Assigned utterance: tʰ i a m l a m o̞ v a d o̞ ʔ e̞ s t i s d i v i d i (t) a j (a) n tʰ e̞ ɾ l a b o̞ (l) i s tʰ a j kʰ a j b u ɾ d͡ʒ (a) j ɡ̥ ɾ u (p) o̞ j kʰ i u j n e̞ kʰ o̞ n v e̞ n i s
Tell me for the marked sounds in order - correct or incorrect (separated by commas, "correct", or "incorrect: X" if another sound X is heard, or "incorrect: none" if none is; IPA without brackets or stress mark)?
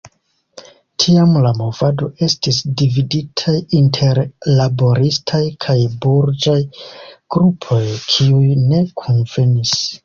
incorrect: tʰ, incorrect: i, incorrect: ɾ, correct, incorrect: pʰ